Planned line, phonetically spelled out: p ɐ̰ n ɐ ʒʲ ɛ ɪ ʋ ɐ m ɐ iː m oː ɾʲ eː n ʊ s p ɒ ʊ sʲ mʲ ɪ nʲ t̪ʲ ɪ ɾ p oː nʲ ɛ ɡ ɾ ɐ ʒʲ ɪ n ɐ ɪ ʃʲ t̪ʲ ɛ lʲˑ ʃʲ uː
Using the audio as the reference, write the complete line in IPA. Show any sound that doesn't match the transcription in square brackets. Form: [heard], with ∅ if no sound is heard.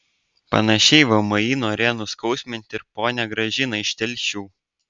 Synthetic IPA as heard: p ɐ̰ n ɐ [ʃʲ] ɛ ɪ ʋ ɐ m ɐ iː [n] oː ɾʲ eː n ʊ s [k] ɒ ʊ sʲ mʲ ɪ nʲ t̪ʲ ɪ ɾ p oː nʲ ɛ ɡ ɾ ɐ ʒʲ ɪ n ɐ ɪ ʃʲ t̪ʲ ɛ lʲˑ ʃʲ uː